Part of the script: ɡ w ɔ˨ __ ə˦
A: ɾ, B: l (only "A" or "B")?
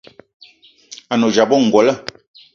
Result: B